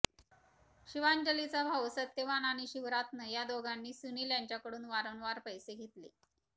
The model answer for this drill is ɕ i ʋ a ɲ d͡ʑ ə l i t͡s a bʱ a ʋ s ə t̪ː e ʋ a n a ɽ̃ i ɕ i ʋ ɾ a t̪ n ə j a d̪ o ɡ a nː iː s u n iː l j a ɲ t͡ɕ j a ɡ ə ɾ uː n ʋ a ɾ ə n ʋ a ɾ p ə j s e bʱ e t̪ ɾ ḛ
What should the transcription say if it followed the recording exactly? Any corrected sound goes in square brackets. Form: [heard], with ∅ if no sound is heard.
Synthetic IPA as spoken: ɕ i ʋ a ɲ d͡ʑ ə l i t͡s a bʱ a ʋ s ə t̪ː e ʋ a n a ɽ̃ i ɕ i ʋ ɾ a t̪ n ə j a d̪ o ɡ a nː iː s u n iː l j a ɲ t͡ɕ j a [k] ə [ɽ] uː n ʋ a ɾ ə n ʋ a ɾ p ə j s e [ɡʱ] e t̪ [l] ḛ